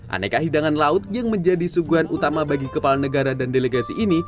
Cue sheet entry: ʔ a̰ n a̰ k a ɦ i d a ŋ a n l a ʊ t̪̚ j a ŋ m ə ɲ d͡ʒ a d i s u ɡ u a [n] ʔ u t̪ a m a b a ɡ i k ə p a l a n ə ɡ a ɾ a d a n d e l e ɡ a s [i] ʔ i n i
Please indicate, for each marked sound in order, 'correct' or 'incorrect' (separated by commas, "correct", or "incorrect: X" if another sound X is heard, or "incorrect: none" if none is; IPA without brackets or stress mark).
correct, correct